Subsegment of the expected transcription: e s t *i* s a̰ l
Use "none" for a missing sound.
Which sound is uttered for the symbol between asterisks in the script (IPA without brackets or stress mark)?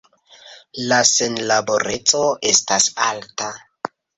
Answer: a